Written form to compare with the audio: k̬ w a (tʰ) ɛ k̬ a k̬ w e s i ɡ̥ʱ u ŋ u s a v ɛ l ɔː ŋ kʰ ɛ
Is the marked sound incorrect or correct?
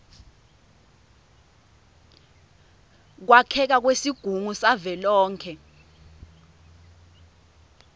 incorrect